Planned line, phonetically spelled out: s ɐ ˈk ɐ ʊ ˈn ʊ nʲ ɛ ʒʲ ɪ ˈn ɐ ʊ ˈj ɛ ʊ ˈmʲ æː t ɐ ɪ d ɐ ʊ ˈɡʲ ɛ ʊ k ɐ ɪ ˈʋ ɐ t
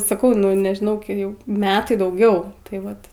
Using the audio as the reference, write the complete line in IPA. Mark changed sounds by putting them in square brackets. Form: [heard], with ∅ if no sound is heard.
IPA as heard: s ɐ ˈk ɐ ʊ ˈn ʊ nʲ ɛ ʒʲ ɪ ˈn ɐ ʊ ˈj ɛ ʊ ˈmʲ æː t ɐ ɪ d ɐ ʊ ˈɡʲ ɛ ʊ [t] ɐ ɪ ˈʋ ɐ t